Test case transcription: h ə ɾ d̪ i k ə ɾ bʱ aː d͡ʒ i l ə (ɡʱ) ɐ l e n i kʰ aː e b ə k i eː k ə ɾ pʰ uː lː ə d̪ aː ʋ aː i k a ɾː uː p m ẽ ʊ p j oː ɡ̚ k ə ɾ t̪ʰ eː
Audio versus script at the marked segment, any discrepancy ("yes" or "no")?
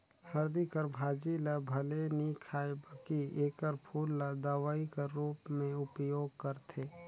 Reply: yes